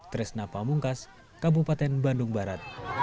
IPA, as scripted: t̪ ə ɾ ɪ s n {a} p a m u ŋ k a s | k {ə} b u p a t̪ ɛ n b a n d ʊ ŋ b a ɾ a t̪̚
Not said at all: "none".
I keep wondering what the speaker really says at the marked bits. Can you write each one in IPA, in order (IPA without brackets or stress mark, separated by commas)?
a, a